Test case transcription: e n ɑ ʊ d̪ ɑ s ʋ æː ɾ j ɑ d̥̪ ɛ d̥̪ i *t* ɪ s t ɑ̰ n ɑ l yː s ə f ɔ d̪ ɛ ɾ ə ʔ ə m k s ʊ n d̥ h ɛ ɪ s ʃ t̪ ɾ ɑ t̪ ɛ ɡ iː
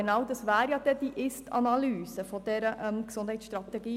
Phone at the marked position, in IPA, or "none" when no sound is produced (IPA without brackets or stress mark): ʔ